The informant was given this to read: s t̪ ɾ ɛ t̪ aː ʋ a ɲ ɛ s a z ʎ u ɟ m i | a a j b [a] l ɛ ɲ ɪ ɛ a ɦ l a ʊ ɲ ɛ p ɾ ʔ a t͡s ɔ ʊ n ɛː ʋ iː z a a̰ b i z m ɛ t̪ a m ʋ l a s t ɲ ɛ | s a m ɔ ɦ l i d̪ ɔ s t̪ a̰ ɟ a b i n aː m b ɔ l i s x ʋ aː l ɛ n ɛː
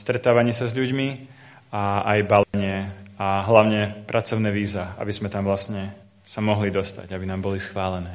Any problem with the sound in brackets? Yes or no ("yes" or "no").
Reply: no